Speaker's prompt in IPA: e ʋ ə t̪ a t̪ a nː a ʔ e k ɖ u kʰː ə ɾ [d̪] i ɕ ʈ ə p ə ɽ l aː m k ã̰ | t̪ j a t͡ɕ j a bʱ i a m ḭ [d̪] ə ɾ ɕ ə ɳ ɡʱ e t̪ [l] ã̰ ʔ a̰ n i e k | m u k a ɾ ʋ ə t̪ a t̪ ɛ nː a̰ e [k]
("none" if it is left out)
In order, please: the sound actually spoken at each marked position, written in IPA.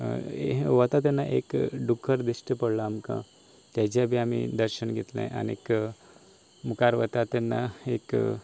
d̪, d̪, l, k

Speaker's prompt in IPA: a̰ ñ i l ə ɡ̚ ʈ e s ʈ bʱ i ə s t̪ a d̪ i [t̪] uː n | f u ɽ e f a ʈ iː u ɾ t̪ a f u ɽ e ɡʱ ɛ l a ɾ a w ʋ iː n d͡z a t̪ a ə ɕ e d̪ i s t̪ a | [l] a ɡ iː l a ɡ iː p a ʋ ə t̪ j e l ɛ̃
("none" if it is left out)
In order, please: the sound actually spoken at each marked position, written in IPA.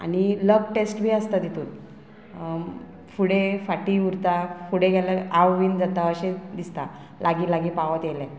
t̪, l

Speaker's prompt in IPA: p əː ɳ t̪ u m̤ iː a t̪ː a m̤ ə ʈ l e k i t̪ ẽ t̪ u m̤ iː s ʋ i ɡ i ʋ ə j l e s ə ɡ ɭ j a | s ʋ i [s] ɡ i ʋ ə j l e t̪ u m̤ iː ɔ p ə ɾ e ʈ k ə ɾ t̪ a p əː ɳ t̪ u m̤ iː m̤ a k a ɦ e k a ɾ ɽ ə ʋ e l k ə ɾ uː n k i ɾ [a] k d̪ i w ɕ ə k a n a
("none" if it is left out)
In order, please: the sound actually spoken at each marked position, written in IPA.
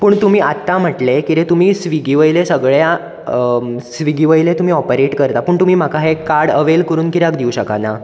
none, a

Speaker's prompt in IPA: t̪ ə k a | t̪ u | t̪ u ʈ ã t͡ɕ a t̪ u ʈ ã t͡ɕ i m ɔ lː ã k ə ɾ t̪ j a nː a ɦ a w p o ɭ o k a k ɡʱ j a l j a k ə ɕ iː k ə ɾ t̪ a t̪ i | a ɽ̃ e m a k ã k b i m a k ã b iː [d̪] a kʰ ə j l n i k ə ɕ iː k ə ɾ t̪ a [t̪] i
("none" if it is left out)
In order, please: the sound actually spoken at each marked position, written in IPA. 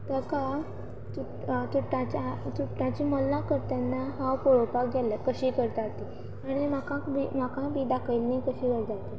d̪, t̪

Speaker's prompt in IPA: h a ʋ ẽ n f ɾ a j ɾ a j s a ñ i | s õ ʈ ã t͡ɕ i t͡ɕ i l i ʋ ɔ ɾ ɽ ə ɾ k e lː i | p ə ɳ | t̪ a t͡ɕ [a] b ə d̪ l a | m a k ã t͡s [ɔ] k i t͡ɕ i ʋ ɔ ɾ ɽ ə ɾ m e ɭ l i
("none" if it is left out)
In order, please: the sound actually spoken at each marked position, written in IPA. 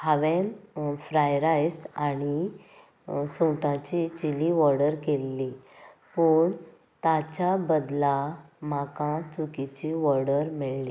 a, u

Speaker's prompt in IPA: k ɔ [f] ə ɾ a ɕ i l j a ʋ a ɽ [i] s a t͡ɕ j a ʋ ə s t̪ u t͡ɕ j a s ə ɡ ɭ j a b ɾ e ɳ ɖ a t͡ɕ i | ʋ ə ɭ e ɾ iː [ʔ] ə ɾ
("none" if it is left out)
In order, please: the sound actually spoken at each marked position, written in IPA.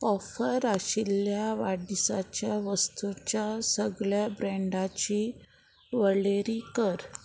f, i, k

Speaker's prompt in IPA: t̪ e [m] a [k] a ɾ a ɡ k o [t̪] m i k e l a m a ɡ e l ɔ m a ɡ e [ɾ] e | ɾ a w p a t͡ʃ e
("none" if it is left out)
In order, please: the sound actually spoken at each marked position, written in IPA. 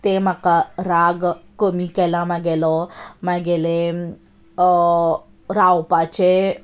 m, k, none, l

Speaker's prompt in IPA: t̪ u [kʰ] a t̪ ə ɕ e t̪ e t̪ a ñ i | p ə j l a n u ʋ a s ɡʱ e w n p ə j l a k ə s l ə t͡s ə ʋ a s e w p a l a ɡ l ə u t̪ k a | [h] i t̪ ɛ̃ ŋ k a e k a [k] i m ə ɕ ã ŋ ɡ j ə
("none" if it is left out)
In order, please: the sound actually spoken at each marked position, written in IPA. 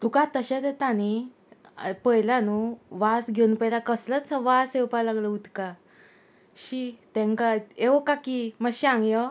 k, ɕ, k

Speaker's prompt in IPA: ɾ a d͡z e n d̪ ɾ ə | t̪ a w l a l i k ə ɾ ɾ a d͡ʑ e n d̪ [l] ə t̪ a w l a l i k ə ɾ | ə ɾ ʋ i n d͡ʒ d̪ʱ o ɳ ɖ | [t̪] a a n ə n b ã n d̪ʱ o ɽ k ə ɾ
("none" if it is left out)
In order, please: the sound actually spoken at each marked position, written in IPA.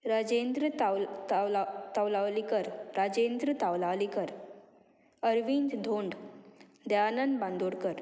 ɾ, d̪

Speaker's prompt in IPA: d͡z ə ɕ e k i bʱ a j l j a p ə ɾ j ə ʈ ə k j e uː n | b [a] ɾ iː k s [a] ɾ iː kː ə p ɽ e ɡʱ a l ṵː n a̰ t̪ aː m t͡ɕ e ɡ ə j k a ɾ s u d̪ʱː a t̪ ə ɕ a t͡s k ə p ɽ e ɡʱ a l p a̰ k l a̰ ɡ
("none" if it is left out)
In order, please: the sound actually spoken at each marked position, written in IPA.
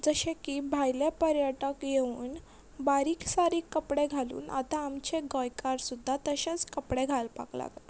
a, a

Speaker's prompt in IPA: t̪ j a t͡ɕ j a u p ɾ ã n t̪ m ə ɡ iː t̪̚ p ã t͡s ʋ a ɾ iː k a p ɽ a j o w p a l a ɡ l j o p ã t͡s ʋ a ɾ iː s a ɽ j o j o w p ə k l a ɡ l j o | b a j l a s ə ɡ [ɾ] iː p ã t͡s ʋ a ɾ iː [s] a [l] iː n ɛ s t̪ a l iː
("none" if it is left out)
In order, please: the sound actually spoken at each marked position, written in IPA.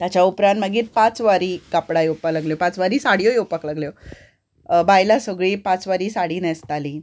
ɭ, s, ɽ

